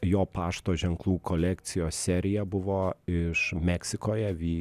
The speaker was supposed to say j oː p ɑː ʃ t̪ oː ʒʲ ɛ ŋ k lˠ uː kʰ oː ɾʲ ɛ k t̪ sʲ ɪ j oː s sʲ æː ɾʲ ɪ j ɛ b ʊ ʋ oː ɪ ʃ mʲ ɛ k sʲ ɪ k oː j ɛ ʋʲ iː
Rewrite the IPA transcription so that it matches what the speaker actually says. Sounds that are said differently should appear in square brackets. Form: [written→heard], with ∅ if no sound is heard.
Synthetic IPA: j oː p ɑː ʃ t̪ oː ʒʲ ɛ ŋ k lˠ uː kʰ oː [ɾʲ→lʲ] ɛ k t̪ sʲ ɪ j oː s sʲ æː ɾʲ ɪ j ɛ b ʊ ʋ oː ɪ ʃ mʲ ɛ k sʲ ɪ k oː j ɛ ʋʲ iː

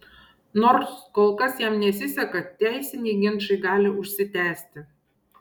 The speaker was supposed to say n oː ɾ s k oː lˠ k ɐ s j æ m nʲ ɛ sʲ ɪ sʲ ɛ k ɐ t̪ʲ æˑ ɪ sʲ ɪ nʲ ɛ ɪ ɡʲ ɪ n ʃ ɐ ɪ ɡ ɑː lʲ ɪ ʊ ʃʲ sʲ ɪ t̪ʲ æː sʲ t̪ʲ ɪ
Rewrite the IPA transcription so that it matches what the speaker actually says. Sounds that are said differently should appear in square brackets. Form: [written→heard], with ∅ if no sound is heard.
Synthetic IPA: n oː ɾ s k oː lˠ k ɐ s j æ m nʲ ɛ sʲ ɪ sʲ ɛ k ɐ t̪ʲ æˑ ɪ sʲ ɪ nʲ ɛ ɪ ɡʲ ɪ n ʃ ɐ ɪ ɡ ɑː lʲ ɪ ʊ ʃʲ sʲ ɪ t̪ʲ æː sʲ t̪ʲ ɪ

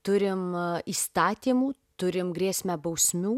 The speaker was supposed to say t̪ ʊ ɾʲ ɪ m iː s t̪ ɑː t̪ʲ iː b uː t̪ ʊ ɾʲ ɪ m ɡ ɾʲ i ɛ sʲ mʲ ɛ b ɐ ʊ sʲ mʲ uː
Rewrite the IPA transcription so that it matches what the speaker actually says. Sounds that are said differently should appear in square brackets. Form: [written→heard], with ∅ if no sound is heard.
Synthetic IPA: t̪ ʊ ɾʲ ɪ m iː s t̪ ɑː t̪ʲ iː [b→m] uː t̪ ʊ ɾʲ ɪ m ɡ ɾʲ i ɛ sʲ mʲ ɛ b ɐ ʊ sʲ mʲ uː

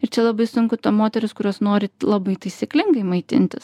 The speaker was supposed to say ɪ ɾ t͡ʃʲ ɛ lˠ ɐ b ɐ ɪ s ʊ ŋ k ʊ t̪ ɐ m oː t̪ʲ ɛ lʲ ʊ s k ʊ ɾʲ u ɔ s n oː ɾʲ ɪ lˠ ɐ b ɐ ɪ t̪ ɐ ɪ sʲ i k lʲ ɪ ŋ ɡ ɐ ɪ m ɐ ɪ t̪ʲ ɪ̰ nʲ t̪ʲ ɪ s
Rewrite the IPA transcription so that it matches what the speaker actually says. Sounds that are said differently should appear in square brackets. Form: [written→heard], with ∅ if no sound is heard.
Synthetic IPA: ɪ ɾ t͡ʃʲ ɛ lˠ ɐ b ɐ ɪ s ʊ ŋ k ʊ t̪ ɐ m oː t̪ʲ ɛ [lʲ→ɾʲ] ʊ s k ʊ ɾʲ u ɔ s n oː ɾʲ ɪ lˠ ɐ b ɐ ɪ t̪ ɐ ɪ sʲ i k lʲ ɪ ŋ ɡ ɐ ɪ m ɐ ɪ t̪ʲ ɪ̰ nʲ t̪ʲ ɪ s

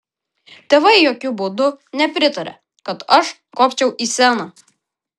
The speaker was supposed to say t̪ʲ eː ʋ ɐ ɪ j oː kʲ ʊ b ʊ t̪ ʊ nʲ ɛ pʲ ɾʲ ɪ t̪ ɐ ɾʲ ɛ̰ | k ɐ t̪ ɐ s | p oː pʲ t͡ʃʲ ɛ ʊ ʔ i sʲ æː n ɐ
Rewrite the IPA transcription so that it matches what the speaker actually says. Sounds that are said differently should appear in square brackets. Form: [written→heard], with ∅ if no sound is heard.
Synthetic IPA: t̪ʲ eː ʋ ɐ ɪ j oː kʲ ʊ b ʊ [t̪→d̪] ʊ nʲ ɛ pʲ ɾʲ ɪ t̪ ɐ ɾʲ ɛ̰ | k ɐ t̪ ɐ [s→ʃ] | [p→k] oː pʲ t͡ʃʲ ɛ ʊ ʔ i sʲ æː n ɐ

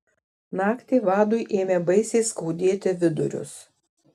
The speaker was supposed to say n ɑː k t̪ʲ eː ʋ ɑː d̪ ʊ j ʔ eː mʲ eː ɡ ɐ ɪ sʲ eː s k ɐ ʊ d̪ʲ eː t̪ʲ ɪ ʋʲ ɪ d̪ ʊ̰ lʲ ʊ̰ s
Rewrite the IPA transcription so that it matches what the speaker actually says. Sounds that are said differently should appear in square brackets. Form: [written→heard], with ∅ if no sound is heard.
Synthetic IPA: n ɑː k t̪ʲ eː ʋ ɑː d̪ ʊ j ʔ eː mʲ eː [ɡ→b] ɐ ɪ sʲ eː s k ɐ ʊ d̪ʲ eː t̪ʲ ɪ ʋʲ ɪ d̪ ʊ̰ [lʲ→ɾʲ] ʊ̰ s

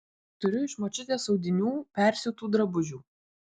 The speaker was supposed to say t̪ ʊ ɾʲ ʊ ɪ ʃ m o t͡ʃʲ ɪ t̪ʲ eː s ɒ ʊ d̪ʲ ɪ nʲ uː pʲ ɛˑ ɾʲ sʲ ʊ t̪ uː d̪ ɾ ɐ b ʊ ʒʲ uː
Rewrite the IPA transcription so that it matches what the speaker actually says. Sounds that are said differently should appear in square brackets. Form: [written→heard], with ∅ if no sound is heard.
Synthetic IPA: t̪ ʊ ɾʲ ʊ ɪ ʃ m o t͡ʃʲ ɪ t̪ʲ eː s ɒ ʊ d̪ʲ ɪ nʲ uː pʲ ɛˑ ɾʲ sʲ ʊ t̪ uː d̪ ɾ ɐ b ʊ ʒʲ uː

